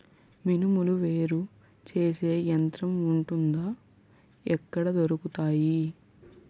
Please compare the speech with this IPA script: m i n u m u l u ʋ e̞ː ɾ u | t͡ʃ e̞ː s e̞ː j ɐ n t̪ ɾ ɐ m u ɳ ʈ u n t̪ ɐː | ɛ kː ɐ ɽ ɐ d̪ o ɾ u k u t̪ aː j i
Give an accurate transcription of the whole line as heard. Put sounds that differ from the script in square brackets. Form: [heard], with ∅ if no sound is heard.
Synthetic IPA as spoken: m i n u m u l u ʋ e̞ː ɾ u | t͡ʃ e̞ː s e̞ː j ɐ n t̪ ɾ ɐ m u ɳ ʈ u n [d̪] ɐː | ɛ kː ɐ ɽ ɐ d̪ o ɾ u k u t̪ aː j i